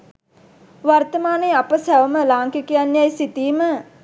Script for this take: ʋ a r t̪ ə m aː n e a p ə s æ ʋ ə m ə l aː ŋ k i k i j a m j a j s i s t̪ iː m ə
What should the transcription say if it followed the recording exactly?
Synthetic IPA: ʋ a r t̪ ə m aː n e a p ə s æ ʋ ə m ə l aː ŋ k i k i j a n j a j s i t̪ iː m ə